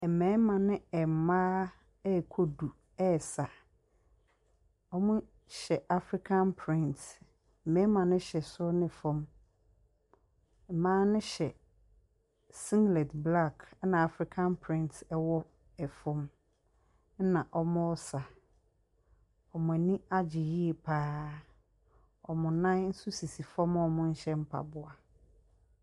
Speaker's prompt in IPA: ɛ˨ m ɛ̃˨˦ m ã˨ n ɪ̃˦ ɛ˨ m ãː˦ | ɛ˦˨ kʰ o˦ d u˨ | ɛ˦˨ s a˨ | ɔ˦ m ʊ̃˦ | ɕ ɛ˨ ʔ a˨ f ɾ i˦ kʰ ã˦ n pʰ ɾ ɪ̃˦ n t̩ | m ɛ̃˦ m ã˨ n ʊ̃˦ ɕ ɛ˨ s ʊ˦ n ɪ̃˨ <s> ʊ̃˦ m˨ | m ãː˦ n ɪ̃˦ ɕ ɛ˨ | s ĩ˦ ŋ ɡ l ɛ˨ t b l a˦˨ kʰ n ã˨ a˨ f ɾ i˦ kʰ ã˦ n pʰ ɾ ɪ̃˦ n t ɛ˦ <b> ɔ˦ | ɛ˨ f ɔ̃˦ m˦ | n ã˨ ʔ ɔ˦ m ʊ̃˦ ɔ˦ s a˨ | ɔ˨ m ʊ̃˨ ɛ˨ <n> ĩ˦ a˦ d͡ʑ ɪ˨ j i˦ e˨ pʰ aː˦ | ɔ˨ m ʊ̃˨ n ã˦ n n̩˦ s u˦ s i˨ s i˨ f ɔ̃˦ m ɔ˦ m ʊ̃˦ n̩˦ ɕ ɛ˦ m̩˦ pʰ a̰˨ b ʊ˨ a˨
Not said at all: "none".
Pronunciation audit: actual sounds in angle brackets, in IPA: f, w, n

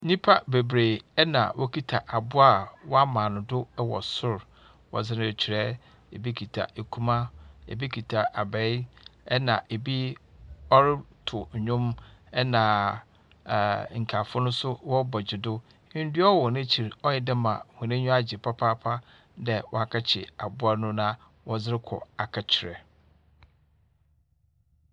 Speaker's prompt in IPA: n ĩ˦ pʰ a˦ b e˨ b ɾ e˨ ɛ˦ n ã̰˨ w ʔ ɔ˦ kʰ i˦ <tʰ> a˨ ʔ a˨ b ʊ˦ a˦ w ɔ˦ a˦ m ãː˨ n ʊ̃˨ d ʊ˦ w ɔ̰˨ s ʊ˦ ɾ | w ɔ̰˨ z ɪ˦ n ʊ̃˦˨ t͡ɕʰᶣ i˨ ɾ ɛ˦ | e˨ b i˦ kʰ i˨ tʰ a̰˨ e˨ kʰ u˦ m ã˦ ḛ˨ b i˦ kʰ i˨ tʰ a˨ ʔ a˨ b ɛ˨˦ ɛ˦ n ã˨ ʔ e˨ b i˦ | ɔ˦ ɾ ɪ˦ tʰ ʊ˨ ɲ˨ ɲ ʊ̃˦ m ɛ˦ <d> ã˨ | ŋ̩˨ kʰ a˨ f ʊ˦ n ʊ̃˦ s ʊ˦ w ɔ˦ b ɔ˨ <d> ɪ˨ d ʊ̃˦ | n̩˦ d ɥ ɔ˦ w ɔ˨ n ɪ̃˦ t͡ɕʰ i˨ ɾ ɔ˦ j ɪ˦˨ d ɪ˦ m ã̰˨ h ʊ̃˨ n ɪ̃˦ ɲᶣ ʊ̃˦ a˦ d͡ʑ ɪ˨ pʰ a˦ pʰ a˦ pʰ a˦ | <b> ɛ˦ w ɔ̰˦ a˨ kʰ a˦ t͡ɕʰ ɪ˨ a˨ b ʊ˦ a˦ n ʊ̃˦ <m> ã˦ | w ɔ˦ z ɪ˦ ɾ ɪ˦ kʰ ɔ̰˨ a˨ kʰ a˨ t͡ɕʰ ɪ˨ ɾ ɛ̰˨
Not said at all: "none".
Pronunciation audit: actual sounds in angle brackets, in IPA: tʰ, n, d͡ʑ, d, n

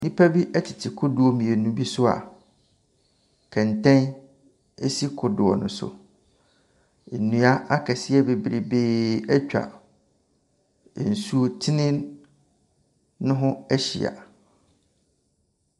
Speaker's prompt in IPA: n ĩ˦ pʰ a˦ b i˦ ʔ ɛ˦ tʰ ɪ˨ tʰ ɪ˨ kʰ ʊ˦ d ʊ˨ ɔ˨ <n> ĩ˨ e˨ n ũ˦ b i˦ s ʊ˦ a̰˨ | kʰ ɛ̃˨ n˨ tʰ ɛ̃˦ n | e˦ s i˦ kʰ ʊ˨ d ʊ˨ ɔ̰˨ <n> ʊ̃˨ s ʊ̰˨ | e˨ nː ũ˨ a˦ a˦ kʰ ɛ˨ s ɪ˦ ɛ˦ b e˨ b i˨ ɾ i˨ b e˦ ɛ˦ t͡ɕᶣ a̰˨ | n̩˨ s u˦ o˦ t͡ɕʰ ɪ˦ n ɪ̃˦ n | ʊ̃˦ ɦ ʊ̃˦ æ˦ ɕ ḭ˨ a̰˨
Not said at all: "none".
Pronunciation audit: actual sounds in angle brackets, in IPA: m, n

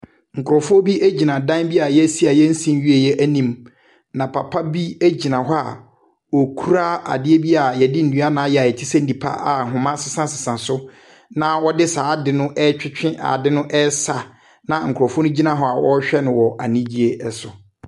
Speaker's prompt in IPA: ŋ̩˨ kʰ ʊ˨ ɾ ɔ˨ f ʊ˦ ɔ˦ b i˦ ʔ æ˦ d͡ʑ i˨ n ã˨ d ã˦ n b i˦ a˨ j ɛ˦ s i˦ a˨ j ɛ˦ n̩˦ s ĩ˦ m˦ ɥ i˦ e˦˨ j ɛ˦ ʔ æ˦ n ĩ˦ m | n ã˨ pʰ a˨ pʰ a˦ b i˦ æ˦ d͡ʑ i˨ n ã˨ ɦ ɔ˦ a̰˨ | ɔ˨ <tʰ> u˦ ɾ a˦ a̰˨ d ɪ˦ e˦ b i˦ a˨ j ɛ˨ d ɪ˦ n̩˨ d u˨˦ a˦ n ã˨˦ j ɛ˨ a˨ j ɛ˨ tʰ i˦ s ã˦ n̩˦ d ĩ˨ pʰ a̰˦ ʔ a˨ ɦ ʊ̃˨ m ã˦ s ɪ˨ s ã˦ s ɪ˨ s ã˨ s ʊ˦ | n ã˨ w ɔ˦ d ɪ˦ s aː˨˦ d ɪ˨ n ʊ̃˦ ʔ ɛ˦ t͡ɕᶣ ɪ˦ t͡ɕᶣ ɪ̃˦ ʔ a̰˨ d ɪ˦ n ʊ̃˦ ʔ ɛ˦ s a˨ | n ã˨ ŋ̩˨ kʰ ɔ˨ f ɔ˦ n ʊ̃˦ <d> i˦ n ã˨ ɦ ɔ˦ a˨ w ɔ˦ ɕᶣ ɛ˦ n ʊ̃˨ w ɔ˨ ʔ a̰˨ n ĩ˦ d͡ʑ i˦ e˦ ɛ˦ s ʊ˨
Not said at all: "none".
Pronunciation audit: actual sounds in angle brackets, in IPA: kʰ, d͡ʑ

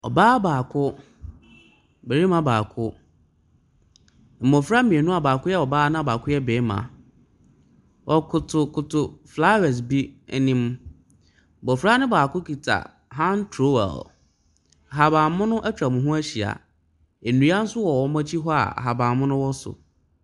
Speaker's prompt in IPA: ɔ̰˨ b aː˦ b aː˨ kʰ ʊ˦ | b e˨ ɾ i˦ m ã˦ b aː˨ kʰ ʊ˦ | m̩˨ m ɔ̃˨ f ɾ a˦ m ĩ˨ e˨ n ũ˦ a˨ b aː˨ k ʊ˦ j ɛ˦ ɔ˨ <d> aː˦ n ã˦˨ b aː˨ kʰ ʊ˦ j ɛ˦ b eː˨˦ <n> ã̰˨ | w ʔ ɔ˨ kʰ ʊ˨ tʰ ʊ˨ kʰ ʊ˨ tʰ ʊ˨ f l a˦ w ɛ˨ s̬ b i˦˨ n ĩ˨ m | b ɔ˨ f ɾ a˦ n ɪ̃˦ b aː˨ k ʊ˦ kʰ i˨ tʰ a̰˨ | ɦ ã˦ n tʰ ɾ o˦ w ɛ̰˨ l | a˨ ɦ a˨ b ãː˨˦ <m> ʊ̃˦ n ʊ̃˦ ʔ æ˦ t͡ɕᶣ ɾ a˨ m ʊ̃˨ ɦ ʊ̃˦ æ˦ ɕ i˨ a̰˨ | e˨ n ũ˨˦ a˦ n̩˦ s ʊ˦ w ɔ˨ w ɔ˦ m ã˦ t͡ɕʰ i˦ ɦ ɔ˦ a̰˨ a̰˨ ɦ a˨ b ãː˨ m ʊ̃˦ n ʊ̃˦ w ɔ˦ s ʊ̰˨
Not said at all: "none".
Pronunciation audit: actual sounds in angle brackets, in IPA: b, m, m

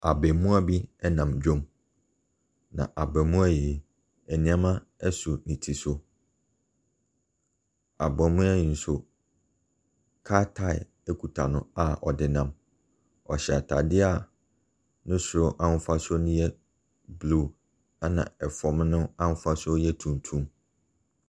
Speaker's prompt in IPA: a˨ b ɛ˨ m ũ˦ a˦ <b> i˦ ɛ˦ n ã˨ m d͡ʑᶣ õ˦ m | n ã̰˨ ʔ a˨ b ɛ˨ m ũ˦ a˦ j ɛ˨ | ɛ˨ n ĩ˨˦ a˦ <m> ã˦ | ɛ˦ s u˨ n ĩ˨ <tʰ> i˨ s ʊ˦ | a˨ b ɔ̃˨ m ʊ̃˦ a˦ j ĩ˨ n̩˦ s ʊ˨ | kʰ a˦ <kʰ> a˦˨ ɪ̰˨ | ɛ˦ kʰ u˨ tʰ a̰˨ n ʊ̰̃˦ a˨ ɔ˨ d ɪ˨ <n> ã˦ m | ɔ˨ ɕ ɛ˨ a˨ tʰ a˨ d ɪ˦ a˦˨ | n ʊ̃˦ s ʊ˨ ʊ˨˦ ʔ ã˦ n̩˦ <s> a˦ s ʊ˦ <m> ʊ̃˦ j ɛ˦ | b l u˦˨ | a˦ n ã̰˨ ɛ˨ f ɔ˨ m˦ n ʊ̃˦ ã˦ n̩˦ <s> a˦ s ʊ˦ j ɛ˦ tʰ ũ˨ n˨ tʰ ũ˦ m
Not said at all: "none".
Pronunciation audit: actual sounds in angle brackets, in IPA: b, m, tʰ, tʰ, n, f, n, f

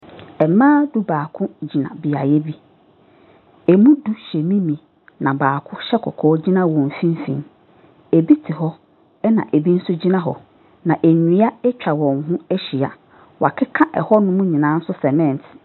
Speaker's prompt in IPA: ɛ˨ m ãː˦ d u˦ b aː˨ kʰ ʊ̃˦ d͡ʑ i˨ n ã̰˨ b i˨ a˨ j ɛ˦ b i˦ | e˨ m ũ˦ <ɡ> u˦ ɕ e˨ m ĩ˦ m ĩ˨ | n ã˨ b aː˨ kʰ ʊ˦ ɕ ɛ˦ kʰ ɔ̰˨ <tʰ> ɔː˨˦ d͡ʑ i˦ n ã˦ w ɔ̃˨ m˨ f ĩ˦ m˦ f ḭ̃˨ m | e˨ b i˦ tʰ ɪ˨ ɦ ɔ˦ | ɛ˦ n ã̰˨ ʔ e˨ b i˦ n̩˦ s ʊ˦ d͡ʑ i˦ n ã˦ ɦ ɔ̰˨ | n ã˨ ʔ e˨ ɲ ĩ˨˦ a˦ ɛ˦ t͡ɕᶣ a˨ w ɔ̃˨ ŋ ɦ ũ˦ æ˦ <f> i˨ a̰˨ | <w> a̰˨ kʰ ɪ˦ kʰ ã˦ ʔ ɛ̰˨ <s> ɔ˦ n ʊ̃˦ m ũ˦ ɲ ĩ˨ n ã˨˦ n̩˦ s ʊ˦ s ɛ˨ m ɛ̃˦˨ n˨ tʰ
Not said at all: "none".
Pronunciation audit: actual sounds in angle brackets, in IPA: d, kʰ, ɕ, w, h

